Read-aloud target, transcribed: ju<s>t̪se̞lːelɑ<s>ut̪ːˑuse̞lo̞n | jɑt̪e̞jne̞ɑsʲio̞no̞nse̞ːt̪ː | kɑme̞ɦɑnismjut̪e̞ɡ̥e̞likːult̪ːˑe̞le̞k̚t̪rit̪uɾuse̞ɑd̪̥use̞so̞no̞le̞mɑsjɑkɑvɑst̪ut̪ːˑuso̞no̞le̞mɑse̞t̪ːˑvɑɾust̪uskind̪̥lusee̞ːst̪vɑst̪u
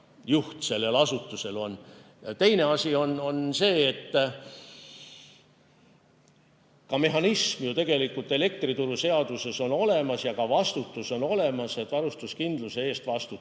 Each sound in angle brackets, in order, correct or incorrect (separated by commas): incorrect, correct